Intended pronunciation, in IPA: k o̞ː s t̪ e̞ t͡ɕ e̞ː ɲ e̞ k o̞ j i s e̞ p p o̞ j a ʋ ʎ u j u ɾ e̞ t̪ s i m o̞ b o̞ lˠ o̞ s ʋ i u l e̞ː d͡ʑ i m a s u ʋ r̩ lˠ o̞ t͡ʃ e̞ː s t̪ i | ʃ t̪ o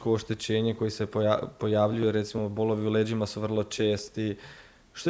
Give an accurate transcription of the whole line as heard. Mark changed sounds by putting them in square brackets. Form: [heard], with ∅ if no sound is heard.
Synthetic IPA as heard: k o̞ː [ʃ] t̪ e̞ t͡ɕ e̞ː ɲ e̞ k o̞ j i s e̞ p p o̞ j a ʋ ʎ u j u ɾ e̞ t̪ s i m o̞ b o̞ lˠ o̞ [∅] ʋ i u l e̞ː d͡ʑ i m a s u ʋ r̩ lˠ o̞ t͡ʃ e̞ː s t̪ i | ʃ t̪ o